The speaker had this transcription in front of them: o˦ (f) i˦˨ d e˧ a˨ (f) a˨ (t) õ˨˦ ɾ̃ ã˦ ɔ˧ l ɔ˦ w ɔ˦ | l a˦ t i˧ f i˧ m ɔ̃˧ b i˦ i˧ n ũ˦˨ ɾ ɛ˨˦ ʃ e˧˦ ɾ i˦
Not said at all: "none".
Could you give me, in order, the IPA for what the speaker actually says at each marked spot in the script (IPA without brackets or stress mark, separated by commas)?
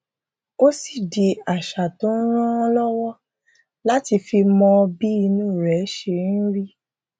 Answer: s, ʃ, t